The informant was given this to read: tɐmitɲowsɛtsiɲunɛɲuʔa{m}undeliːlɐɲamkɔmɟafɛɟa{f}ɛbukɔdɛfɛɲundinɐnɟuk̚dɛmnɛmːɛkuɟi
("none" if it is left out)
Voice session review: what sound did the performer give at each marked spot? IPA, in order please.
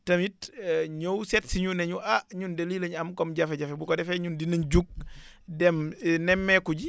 ɲ, f

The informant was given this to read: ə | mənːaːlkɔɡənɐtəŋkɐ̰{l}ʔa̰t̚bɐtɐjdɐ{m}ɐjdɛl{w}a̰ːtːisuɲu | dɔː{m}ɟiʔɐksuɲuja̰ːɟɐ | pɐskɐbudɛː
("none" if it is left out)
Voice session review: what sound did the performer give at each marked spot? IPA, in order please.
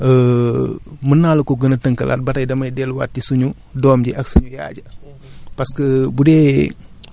l, m, w, m

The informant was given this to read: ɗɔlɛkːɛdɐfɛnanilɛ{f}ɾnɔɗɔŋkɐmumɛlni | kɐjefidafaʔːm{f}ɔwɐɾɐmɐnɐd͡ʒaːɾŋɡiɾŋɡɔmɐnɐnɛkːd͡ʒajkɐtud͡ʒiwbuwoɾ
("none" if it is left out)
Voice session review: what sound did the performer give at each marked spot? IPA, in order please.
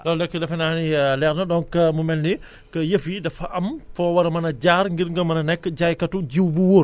none, f

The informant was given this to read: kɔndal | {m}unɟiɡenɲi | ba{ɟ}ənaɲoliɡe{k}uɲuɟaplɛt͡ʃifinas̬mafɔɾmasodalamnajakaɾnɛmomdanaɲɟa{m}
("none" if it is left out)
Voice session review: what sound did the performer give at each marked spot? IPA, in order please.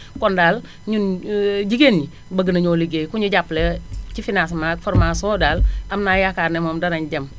ɲ, ɡ, k, m

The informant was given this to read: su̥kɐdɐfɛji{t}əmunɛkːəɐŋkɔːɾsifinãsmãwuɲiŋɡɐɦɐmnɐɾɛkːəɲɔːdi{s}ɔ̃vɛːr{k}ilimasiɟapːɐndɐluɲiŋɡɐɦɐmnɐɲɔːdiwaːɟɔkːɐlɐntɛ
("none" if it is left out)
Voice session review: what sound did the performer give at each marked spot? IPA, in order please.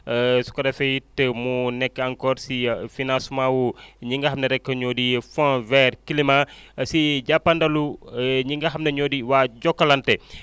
t, f, k

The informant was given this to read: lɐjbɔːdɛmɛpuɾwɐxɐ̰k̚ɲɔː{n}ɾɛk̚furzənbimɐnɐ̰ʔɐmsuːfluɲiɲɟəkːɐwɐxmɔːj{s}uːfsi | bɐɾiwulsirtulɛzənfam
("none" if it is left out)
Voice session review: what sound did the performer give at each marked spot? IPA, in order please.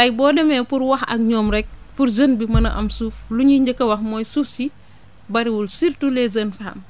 m, s

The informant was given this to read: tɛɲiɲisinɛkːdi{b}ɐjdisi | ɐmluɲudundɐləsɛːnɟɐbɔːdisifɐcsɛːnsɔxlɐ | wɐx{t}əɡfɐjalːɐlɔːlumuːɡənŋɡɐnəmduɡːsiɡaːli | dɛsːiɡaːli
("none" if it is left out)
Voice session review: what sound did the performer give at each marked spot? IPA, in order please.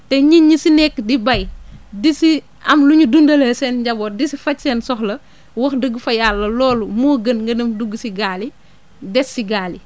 b, d

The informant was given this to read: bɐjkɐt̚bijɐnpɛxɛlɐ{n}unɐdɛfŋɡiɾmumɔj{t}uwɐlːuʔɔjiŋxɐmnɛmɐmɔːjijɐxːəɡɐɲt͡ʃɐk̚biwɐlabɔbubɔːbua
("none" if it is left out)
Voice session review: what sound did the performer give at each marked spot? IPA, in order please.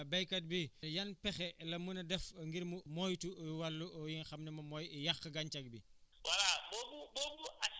m, t

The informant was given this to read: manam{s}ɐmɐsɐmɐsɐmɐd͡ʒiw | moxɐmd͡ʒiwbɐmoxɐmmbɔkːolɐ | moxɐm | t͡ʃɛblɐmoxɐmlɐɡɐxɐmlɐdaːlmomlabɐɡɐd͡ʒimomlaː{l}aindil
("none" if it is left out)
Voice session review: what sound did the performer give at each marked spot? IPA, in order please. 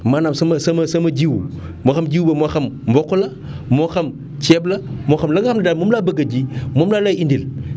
s, l

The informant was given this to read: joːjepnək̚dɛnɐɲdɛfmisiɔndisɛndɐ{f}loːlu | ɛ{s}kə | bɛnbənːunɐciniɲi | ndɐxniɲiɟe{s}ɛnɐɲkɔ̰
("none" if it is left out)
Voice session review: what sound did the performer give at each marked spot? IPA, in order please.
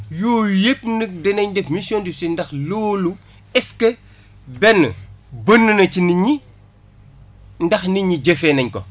x, s, f

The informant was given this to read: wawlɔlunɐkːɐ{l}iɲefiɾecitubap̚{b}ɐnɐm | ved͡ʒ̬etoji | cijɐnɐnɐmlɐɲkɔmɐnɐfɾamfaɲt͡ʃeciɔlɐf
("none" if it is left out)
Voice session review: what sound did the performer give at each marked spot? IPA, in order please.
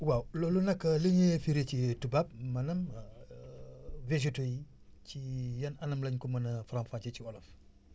l, m

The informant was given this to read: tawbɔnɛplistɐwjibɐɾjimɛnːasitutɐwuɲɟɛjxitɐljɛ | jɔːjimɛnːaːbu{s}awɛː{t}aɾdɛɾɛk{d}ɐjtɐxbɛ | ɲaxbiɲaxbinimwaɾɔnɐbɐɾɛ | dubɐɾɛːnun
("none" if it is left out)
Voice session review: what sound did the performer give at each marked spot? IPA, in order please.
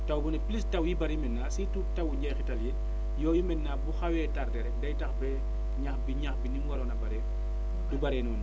x, t, d

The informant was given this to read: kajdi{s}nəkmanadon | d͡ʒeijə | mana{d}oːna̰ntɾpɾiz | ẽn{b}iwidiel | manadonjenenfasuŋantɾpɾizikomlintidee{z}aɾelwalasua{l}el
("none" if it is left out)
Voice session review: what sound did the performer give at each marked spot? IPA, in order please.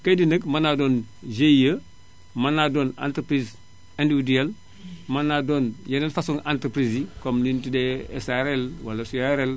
none, d, d, s, ɾ

